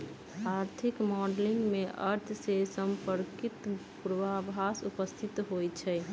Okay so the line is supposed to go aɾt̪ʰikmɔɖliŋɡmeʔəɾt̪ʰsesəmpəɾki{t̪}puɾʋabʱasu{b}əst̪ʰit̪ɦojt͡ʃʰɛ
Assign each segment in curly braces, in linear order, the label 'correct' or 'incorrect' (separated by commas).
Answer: correct, incorrect